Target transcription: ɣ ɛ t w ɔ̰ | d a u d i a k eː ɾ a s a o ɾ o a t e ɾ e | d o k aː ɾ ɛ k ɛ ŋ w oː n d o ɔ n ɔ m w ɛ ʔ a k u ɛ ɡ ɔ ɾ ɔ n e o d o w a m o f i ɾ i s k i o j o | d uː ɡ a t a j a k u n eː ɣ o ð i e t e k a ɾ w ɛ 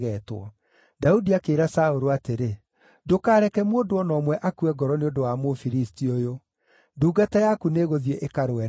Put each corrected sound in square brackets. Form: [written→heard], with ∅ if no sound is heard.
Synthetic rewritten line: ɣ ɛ t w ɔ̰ | d a u d i a k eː ɾ a s a o ɾ o a t e ɾ e | d o k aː ɾ ɛ k ɛ [ŋ→m] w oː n d o ɔ n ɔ m w ɛ ʔ a k u ɛ ɡ ɔ ɾ ɔ n e o d o w a m o f i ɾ i s [k→t] i o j o | d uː ɡ a t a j a k u n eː ɣ o ð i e [t→ʔ] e k a ɾ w ɛ